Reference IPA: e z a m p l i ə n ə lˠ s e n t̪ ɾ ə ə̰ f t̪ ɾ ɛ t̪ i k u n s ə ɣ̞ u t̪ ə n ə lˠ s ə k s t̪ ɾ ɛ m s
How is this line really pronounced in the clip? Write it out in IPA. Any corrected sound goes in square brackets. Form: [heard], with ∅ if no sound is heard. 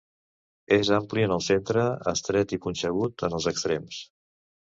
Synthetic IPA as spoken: e z a m p l i ə n ə lˠ s e n t̪ ɾ ə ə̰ [s] t̪ ɾ ɛ t̪ i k u n s ə ɣ̞ u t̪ ə n ə lˠ [z] ə k s t̪ ɾ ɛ m s